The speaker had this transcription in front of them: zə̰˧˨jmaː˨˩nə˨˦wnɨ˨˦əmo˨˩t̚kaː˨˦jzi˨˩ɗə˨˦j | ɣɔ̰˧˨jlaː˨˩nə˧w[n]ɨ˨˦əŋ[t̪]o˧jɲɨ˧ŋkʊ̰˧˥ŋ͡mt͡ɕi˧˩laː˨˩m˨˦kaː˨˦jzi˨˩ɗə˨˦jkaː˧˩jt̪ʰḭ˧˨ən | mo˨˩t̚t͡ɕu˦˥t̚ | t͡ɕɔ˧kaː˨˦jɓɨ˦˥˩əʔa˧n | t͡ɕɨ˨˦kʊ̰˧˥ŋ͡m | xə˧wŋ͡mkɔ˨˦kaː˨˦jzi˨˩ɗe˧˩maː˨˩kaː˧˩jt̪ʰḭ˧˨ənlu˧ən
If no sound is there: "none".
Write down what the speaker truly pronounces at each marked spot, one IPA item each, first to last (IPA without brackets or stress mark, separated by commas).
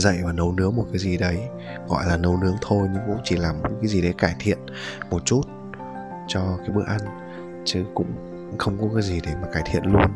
n, t̪ʰ